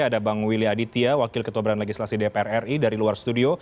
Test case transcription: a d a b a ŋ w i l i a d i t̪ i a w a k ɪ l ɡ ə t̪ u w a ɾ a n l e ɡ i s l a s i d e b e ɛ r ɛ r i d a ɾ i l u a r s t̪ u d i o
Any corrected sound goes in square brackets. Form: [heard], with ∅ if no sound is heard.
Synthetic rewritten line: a d a b a ŋ w i l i a d i t̪ i a w a k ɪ l [k] ə t̪ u [b] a ɾ a n l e ɡ i s l a s i d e [p] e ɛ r ɛ r i d a ɾ i l u a r s t̪ u d i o